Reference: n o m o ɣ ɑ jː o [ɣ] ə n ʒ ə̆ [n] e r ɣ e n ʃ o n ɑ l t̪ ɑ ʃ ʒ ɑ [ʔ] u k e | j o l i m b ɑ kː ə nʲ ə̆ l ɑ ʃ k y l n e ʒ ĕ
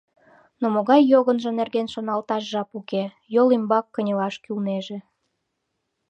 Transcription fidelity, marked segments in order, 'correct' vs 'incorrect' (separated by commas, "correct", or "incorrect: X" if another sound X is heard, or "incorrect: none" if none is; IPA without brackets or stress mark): correct, correct, incorrect: p